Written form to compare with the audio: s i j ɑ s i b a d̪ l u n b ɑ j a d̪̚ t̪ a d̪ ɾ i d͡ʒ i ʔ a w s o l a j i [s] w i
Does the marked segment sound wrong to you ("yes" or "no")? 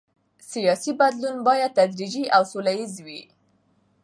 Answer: yes